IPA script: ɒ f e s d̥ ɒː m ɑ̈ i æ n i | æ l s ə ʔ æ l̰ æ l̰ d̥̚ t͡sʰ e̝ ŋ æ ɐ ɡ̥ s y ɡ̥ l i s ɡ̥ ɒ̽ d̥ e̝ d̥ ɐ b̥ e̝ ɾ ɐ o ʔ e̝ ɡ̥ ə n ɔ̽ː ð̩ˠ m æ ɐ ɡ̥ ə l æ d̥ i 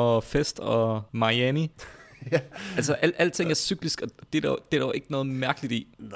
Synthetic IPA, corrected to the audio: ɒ f e s d̥ ɒ m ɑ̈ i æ n i | æ l s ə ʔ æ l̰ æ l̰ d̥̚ t͡sʰ e̝ ŋ æ ɐ s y ɡ̥ l i s ɡ̥ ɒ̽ d̥ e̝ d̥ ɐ d̥ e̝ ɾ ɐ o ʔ e̝ ɡ̥ ə n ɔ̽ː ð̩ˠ m æ ɐ ɡ̥ ə l i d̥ i